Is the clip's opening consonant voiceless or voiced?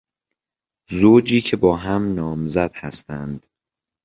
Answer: voiced